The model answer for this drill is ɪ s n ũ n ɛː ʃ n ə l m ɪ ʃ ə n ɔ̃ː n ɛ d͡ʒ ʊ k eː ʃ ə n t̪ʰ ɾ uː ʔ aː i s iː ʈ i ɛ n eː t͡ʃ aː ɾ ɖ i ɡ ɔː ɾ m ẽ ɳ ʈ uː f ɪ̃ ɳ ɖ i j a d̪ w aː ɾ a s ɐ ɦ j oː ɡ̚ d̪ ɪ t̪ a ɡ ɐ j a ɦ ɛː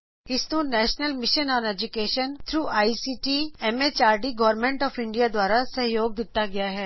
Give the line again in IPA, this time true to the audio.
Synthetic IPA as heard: ɪ s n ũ n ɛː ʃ n ə l m ɪ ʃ ə n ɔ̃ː n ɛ d͡ʒ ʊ k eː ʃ ə n t̪ʰ ɾ uː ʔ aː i s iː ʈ i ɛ m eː t͡ʃ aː ɾ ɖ i ɡ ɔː ɾ m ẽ ɳ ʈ ɔː f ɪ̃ ɳ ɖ i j a d̪ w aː ɾ a s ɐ ɦ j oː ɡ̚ d̪ ɪ t̪ a ɡ ɐ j a ɦ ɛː